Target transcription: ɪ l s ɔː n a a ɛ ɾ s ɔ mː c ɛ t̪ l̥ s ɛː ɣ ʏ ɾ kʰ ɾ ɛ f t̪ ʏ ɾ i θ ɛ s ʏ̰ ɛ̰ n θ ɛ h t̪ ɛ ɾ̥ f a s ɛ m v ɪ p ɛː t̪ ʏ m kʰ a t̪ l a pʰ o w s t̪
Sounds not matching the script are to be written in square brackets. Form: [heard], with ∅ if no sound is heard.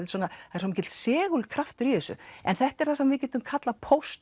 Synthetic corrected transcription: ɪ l s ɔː n a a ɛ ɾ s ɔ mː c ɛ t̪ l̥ s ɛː ɣ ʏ [l] kʰ ɾ [a] f t̪ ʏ ɾ i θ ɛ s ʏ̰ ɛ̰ n θ ɛ h t̪ ɛ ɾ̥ [θ] a s ɛ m v ɪ [c] ɛː t̪ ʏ m kʰ a t̪ l a pʰ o w s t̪